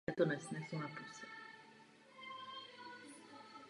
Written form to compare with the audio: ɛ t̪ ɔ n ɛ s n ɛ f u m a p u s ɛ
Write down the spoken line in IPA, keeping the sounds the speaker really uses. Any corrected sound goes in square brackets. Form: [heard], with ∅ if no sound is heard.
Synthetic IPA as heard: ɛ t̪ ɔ n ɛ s n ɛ [s] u [n] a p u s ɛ

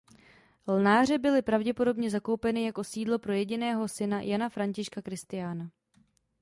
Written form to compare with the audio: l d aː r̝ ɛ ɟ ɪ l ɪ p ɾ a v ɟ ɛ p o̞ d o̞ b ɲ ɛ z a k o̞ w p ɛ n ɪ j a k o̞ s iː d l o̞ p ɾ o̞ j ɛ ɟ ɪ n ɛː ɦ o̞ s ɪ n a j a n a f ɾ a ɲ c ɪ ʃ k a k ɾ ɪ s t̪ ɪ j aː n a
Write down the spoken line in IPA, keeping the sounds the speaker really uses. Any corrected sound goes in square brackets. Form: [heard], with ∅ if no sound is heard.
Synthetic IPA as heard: l [n] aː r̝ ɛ [b] ɪ l ɪ p ɾ a v ɟ ɛ p o̞ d o̞ b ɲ ɛ z a k o̞ w p ɛ n ɪ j a k o̞ s iː d l o̞ p ɾ o̞ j ɛ ɟ ɪ n ɛː ɦ o̞ s ɪ n a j a n a f ɾ a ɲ c ɪ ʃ k a k ɾ ɪ s t̪ ɪ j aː n a

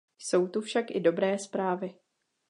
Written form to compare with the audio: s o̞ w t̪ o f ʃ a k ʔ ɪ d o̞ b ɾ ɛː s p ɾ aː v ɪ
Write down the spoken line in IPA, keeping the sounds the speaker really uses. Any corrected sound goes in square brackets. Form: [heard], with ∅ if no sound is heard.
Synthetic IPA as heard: s o̞ w t̪ [u] f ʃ a k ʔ ɪ d o̞ b ɾ ɛː s p ɾ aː v ɪ

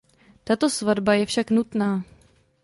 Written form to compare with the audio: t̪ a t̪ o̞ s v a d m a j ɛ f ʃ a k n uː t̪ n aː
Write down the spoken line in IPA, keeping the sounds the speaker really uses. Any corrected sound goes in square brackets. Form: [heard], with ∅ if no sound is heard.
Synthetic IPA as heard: t̪ a t̪ o̞ s v a d [b] a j ɛ f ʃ a k n [u] t̪ n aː

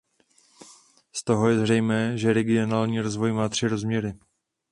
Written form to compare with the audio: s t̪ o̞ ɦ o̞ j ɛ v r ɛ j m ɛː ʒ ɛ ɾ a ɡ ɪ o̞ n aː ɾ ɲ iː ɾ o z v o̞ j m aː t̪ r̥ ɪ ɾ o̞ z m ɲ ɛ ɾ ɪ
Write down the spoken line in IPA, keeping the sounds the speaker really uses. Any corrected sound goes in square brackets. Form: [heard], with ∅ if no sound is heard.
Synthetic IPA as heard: s t̪ o̞ ɦ o̞ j ɛ [z] r ɛ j m ɛː ʒ ɛ ɾ [ɛ] ɡ ɪ o̞ n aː [l] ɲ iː ɾ o z v o̞ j m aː t̪ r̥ ɪ ɾ o̞ z m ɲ ɛ ɾ ɪ

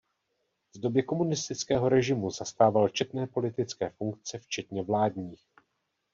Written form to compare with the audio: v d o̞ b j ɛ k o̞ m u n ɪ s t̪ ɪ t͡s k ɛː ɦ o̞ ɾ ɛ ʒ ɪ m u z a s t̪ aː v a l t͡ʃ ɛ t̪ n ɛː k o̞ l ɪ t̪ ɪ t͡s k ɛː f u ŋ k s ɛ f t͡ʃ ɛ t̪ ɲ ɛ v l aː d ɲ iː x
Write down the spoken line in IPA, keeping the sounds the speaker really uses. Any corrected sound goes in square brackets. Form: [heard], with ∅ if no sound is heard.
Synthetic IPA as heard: v d o̞ b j ɛ k o̞ m u n ɪ s t̪ ɪ t͡s k ɛː ɦ o̞ ɾ ɛ ʒ ɪ m u z a s t̪ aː v a l t͡ʃ ɛ t̪ n ɛː [p] o̞ l ɪ t̪ ɪ t͡s k ɛː f u ŋ k [t͡s] ɛ f t͡ʃ ɛ t̪ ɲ ɛ v l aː d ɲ iː x

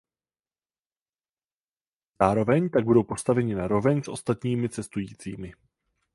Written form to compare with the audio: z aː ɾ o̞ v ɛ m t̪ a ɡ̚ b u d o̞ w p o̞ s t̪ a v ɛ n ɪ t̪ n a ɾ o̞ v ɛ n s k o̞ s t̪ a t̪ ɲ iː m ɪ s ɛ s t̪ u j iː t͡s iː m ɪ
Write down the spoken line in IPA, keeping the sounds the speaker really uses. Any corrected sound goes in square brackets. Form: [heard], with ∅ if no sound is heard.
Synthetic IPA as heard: z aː ɾ o̞ v ɛ [ɲ] t̪ a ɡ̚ b u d o̞ w p o̞ s t̪ a v ɛ [ɲ] ɪ [∅] n a ɾ o̞ v ɛ [ɲ] s [ʔ] o̞ s t̪ a t̪ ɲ iː m ɪ [t͡s] ɛ s t̪ u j iː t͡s iː m ɪ

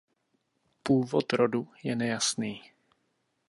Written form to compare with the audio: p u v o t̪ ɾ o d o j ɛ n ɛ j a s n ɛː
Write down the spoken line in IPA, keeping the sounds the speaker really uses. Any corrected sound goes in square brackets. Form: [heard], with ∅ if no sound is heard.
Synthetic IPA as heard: p [uː] v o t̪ ɾ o d [u] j ɛ n ɛ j a s n [iː]

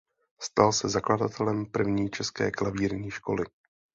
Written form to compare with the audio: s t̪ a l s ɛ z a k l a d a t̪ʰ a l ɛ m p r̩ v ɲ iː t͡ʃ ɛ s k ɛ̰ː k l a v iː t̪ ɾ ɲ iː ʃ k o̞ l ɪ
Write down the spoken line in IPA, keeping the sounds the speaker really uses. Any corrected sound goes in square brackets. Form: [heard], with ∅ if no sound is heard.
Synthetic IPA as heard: s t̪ a l s ɛ z a k l a d a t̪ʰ [ɛ] l ɛ m p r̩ v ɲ iː t͡ʃ ɛ s k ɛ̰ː k l a v iː [∅] ɾ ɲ iː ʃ k o̞ l ɪ

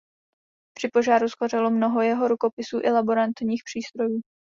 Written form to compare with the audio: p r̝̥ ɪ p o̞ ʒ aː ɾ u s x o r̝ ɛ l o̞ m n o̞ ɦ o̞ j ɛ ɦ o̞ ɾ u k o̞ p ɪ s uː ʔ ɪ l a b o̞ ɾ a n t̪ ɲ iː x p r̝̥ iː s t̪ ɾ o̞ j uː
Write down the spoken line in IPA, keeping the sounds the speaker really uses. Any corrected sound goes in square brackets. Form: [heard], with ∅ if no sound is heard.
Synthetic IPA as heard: p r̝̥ ɪ p o̞ ʒ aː ɾ u s x o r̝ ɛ l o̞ m n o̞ ɦ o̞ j ɛ ɦ o̞ ɾ u k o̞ p ɪ s uː ʔ ɪ l a b o̞ ɾ a n t̪ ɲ iː x p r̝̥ iː s t̪ ɾ o̞ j uː

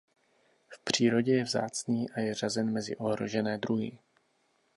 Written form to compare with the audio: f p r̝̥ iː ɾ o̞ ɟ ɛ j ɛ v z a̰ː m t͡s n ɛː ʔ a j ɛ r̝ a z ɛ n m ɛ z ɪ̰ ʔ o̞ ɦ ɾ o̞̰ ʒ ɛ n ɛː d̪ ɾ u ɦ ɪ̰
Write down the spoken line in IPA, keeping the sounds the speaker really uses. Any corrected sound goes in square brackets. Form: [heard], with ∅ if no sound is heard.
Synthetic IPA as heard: f p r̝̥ iː ɾ o̞ ɟ ɛ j ɛ v z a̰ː [∅] t͡s n [iː] ʔ a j ɛ r̝ a z ɛ n m ɛ z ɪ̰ ʔ o̞ ɦ ɾ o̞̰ ʒ ɛ n ɛː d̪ ɾ u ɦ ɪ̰

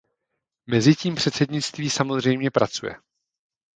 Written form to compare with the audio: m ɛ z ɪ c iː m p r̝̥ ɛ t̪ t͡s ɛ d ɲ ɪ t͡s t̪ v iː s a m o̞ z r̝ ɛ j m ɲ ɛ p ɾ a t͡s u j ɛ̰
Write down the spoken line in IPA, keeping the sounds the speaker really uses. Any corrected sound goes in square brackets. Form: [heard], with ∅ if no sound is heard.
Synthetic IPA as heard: m ɛ z ɪ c iː m p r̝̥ ɛ t̪ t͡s ɛ d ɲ ɪ t͡s t̪ v iː s a m o̞ z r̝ ɛ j m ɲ ɛ p ɾ a t͡s u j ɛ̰

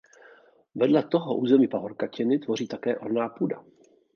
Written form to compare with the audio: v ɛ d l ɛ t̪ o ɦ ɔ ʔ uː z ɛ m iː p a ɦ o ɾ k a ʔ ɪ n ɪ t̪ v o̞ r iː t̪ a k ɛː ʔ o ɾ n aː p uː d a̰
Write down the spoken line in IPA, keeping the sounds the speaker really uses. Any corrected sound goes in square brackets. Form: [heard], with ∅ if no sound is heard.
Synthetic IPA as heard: v ɛ d l ɛ t̪ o ɦ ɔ ʔ uː z ɛ m iː p a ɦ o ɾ k a [c] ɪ n ɪ t̪ v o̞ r iː t̪ a k ɛː ʔ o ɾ n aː p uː d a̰

